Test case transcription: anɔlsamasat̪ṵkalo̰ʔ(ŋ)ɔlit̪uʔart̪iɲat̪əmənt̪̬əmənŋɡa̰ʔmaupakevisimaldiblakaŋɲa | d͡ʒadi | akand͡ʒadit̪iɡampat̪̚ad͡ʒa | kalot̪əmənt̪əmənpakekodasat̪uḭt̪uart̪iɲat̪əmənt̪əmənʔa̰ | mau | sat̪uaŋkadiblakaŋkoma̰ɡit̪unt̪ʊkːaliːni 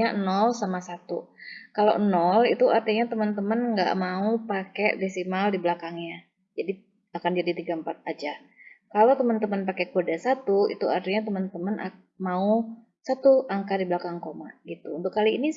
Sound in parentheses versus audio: incorrect: n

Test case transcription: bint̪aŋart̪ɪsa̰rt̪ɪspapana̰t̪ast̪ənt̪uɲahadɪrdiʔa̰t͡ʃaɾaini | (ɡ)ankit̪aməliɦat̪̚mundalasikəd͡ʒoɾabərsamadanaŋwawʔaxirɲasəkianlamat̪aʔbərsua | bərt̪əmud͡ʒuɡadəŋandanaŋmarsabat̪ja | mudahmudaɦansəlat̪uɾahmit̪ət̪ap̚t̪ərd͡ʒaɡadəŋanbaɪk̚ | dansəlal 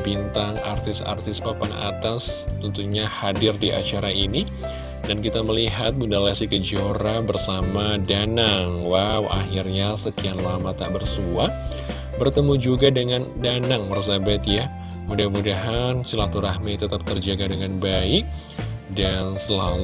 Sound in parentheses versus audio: incorrect: d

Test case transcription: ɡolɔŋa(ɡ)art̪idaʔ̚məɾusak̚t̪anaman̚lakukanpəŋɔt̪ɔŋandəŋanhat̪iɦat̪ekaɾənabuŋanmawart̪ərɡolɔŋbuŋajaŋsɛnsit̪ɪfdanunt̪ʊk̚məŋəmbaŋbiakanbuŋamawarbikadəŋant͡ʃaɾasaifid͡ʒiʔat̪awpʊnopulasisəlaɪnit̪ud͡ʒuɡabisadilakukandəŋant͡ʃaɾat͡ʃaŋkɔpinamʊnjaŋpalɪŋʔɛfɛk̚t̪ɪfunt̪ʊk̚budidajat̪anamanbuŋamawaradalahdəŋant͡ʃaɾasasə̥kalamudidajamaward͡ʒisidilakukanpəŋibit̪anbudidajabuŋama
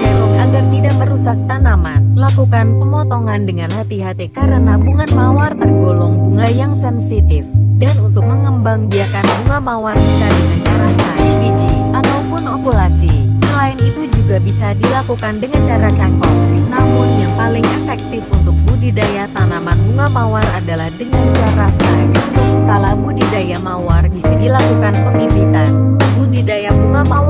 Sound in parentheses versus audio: correct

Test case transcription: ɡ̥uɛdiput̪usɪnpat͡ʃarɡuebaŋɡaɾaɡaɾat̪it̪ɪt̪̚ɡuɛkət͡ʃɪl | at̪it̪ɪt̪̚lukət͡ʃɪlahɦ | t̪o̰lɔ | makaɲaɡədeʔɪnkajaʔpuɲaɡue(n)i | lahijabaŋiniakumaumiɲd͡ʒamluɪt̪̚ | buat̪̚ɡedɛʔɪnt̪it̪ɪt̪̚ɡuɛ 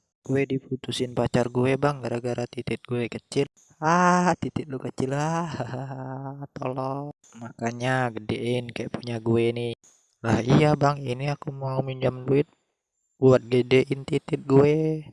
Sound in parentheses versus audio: correct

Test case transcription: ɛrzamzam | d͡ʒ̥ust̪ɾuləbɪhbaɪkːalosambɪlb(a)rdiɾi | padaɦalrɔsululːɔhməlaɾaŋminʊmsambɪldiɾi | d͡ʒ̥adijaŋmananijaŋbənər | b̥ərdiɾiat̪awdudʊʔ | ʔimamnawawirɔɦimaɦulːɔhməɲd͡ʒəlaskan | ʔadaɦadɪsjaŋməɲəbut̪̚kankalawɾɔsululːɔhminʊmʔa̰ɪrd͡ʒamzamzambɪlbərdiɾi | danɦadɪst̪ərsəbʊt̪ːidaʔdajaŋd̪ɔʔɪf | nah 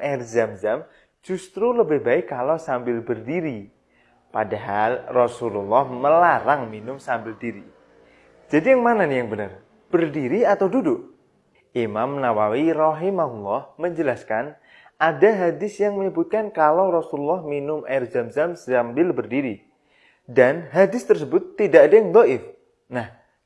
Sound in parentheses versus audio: incorrect: ə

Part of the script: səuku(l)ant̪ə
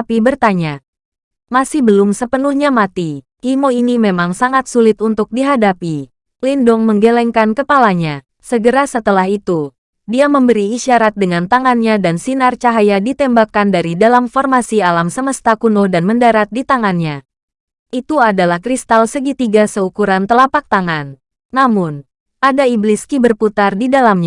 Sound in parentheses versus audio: incorrect: ɾ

